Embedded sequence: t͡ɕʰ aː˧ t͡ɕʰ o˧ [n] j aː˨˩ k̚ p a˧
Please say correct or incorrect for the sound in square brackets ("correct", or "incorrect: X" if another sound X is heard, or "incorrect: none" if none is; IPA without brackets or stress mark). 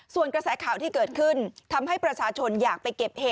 correct